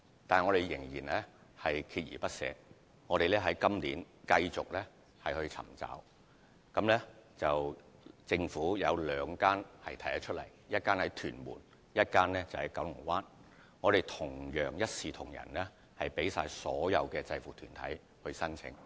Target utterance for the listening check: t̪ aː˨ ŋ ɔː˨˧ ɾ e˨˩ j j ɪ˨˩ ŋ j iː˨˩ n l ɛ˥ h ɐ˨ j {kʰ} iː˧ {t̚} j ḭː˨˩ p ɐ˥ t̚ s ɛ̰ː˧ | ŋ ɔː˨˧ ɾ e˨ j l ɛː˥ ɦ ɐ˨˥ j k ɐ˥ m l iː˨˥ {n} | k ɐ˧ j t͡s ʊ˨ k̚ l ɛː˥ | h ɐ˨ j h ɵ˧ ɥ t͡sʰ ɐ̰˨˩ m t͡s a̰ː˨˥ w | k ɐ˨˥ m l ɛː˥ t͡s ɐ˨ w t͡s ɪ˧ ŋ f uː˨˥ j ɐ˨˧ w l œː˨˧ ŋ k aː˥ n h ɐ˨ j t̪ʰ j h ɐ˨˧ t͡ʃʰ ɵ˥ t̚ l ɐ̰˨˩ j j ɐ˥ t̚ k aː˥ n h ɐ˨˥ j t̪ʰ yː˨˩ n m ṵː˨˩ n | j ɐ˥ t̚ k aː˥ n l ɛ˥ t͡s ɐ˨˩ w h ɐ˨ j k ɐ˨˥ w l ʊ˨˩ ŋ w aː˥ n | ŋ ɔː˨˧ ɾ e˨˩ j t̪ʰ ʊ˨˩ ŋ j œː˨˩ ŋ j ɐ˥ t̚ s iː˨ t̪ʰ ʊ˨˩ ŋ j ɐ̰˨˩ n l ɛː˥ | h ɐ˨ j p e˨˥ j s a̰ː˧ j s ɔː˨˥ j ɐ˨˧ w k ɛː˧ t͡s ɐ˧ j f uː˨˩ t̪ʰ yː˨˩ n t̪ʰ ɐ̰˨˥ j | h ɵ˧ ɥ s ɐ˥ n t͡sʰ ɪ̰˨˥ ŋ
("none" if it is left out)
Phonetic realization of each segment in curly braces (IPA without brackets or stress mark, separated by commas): kʰ, t̚, n